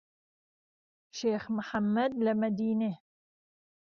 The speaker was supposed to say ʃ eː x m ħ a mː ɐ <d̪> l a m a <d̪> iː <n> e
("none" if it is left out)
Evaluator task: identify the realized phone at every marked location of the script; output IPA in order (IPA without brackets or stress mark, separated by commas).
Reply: d̪, d̪, n